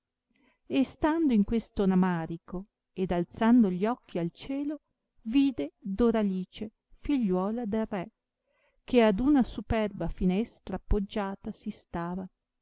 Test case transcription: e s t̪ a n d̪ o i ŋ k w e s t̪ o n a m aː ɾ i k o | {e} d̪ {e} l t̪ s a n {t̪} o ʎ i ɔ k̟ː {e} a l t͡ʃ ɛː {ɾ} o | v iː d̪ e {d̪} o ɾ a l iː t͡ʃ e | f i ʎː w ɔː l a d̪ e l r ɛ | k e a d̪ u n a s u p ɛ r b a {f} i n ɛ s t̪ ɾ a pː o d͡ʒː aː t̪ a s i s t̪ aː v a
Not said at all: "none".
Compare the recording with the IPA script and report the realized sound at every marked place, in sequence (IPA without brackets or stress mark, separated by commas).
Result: e, a, d̪, i, l, d̪, f